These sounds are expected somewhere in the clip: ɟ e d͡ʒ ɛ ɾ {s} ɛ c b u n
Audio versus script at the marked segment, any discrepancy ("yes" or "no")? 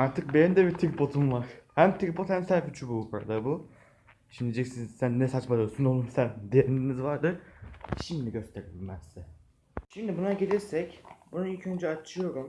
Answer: no